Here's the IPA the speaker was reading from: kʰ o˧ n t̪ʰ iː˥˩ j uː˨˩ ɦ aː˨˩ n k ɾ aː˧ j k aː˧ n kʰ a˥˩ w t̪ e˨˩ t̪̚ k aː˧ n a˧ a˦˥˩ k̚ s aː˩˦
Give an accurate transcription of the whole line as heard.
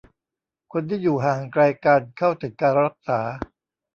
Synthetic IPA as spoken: kʰ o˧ n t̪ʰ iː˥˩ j uː˨˩ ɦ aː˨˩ ŋ k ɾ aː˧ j k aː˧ n kʰ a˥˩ w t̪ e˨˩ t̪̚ k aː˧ n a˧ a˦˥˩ k̚ s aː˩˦